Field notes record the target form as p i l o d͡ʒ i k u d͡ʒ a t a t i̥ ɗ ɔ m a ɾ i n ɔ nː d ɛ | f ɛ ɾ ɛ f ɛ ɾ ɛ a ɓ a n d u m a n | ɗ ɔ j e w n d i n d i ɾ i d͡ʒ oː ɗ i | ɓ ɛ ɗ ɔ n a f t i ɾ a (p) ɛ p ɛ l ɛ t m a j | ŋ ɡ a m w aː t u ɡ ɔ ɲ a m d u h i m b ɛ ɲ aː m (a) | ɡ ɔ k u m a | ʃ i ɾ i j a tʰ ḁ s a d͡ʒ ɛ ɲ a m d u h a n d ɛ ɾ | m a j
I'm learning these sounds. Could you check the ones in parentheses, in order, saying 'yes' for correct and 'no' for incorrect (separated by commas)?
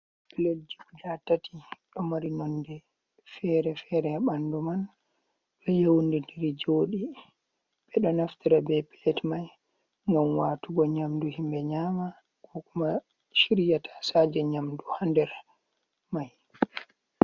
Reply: no, yes